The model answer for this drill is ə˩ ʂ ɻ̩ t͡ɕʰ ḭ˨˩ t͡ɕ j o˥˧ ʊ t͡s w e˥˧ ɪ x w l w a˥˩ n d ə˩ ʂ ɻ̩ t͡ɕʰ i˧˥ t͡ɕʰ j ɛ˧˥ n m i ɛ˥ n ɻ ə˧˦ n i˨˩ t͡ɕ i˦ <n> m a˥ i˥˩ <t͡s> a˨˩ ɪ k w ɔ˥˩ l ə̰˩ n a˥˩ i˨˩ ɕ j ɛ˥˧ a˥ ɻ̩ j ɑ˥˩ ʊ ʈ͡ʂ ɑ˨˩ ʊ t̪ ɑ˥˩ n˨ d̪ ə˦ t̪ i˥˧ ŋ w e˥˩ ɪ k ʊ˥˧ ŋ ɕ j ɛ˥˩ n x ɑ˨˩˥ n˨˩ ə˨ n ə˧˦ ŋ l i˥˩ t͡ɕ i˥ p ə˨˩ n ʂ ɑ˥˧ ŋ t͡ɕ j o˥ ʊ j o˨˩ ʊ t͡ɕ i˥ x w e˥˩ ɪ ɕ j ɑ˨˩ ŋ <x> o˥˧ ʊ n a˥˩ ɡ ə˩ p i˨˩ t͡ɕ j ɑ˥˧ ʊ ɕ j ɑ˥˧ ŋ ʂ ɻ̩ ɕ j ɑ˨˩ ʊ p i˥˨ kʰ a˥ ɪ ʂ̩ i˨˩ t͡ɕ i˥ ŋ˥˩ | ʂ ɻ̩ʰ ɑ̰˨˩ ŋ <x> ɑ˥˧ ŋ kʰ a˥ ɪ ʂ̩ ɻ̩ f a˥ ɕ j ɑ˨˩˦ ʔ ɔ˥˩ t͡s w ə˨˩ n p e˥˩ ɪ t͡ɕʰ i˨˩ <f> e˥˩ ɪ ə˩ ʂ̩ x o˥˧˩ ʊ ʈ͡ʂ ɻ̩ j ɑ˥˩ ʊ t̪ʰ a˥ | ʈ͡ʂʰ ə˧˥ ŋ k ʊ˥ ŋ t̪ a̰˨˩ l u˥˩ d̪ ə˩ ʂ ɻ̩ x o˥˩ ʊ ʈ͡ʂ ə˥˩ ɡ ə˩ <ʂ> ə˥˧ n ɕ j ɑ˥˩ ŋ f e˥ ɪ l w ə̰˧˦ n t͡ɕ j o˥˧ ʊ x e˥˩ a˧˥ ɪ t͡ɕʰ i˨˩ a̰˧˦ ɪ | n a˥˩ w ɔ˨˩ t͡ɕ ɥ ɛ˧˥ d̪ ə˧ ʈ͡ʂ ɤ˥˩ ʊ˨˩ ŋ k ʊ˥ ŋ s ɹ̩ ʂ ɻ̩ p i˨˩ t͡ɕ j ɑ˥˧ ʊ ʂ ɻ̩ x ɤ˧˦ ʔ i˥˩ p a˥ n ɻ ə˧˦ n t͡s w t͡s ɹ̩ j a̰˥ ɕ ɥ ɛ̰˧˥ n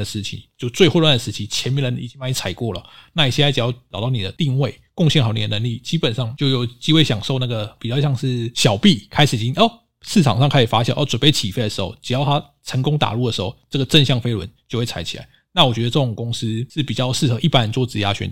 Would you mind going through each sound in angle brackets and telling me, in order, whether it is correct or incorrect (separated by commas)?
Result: incorrect, incorrect, incorrect, incorrect, correct, incorrect